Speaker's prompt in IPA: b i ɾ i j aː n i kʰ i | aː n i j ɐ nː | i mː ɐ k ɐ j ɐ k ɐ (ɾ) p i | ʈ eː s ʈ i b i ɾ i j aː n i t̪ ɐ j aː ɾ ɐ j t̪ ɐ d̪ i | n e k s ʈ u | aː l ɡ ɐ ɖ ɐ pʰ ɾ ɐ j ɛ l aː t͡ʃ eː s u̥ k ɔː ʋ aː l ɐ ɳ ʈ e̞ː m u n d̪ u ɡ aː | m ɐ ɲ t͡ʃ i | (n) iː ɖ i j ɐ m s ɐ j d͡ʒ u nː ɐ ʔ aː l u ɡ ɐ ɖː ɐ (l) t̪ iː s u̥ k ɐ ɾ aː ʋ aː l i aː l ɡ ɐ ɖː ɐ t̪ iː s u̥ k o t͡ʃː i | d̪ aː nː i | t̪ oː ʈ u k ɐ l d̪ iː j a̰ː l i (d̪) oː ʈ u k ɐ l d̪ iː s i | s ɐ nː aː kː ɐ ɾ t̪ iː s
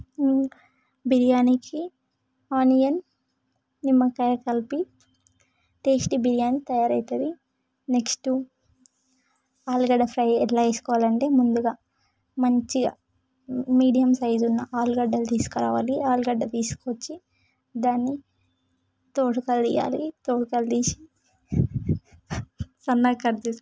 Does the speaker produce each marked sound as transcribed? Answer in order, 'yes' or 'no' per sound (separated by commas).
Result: no, no, yes, no